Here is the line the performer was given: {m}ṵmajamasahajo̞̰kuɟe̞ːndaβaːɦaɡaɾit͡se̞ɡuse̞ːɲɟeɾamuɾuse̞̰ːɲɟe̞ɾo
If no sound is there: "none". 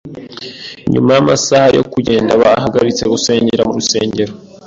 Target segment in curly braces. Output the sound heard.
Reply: ɲ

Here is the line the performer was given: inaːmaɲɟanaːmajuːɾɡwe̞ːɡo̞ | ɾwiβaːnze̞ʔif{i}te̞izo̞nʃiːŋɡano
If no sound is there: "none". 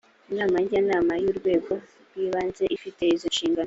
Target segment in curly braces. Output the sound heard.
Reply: i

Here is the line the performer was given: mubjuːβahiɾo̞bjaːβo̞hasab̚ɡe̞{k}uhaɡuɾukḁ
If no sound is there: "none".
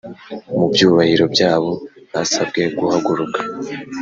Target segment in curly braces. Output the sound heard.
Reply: ɡ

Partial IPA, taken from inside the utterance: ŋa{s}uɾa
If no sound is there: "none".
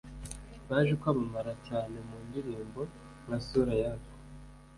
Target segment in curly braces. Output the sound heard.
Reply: s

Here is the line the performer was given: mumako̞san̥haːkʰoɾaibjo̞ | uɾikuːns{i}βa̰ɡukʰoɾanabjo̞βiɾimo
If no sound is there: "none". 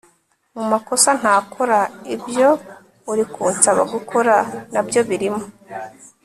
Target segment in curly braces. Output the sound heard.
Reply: a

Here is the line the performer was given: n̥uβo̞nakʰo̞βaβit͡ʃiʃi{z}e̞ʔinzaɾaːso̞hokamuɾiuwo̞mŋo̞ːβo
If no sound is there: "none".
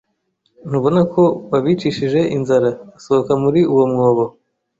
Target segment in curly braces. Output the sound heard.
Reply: ʒ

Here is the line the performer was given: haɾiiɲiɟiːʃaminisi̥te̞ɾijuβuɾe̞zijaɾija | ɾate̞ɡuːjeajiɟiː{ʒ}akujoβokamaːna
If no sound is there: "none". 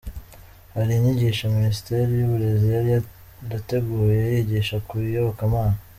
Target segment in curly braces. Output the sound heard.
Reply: ʃ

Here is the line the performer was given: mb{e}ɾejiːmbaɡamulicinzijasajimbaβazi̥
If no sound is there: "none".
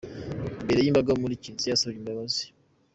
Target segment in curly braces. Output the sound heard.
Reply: e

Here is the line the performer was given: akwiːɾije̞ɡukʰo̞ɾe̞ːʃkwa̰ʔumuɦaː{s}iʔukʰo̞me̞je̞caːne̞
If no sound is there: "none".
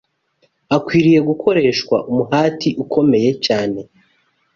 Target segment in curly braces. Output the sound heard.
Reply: t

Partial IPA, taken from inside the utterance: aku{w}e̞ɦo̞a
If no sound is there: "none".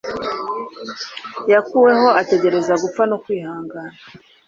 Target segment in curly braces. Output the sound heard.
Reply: w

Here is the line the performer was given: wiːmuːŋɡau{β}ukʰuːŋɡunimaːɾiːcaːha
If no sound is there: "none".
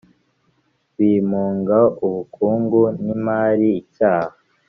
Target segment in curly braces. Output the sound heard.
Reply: β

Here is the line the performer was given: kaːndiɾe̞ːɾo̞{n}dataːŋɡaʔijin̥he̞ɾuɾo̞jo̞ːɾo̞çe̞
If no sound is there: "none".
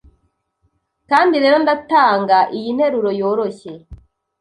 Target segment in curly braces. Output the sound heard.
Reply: n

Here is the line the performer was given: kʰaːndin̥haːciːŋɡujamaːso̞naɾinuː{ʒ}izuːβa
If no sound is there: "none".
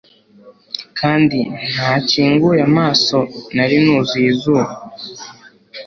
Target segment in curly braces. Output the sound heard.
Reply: z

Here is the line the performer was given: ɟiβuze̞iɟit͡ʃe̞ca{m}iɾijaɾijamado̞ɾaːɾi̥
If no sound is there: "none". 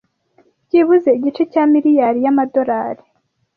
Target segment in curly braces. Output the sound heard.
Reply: m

